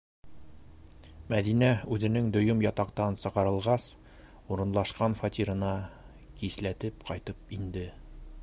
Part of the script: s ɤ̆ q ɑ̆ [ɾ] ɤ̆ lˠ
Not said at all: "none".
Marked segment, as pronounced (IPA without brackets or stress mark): ɾ